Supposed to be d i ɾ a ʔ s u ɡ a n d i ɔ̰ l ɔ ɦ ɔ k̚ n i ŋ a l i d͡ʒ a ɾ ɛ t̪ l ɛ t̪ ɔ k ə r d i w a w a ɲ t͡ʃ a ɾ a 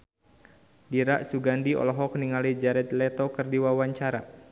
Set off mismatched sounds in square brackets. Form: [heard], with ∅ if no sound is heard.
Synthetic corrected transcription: d i ɾ a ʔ s u ɡ a n d i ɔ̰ l ɔ ɦ ɔ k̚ n i ŋ a l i d͡ʒ a ɾ ɛ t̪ l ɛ t̪ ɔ k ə r d i w a w a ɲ t͡ʃ a ɾ a